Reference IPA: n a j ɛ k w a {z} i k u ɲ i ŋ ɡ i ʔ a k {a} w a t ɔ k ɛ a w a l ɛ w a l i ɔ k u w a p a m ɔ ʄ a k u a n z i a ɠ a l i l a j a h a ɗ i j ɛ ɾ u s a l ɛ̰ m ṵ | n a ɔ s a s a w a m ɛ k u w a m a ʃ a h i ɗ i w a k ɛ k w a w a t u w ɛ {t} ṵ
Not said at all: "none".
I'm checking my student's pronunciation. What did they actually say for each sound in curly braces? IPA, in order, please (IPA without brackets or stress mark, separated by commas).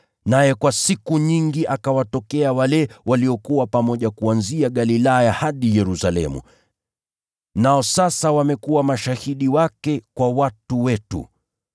s, a, t